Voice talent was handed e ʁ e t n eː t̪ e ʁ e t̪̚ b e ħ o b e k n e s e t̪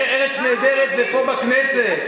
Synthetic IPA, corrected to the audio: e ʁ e t͡s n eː d̪ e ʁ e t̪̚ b e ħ o b a k n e s e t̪